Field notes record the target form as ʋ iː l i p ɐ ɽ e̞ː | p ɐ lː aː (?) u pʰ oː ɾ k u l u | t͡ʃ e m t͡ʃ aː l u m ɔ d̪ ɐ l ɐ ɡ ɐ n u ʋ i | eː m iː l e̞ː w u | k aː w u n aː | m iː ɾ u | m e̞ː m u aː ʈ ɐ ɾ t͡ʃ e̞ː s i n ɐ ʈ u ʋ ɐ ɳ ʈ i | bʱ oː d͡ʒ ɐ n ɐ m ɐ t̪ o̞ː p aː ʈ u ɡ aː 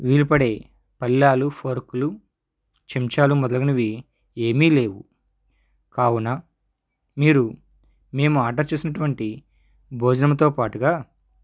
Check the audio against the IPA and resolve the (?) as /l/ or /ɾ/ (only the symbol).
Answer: l